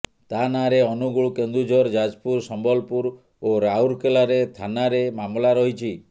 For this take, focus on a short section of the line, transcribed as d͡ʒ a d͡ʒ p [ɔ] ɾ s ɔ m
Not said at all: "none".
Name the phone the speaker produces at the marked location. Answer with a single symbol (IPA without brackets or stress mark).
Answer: u